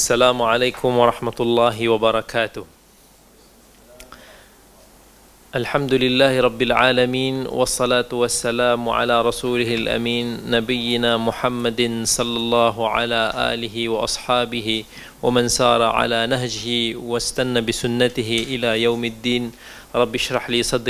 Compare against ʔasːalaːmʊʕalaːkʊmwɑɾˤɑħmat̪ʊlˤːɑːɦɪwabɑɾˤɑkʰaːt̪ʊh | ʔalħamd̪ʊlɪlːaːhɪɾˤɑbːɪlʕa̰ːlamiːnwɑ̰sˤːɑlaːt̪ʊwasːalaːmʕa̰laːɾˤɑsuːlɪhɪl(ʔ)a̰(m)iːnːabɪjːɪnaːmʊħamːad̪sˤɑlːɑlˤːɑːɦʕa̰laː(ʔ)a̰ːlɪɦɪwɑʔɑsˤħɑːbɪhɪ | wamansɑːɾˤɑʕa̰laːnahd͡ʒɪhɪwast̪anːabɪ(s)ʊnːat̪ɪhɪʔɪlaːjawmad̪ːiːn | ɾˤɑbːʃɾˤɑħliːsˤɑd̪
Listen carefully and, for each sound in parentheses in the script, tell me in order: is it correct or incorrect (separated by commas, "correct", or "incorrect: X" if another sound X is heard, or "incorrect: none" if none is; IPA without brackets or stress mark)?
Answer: correct, correct, correct, correct